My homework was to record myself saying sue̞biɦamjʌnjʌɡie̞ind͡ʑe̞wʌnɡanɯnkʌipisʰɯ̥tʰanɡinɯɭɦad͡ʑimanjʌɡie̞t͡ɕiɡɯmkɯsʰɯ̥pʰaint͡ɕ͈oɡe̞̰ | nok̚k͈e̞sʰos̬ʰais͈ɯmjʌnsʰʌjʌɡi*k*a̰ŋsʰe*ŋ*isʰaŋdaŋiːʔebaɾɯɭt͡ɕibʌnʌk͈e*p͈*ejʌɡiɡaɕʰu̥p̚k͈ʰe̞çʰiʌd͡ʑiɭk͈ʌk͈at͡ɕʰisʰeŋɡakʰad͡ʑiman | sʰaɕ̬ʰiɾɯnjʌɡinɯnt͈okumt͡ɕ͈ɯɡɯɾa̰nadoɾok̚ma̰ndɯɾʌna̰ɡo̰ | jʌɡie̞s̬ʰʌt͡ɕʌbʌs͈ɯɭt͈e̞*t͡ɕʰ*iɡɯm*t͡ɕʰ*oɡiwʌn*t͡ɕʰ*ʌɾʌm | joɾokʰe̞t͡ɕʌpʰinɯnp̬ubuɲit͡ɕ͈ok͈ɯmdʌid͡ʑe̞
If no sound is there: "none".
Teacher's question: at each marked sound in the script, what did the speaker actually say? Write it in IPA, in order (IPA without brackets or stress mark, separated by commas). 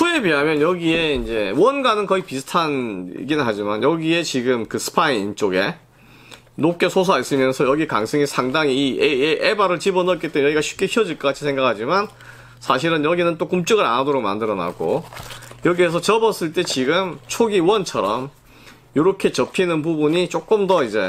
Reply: k, ŋ, t͈, t͡ɕ, t͡ɕʰ, t͡ɕʰ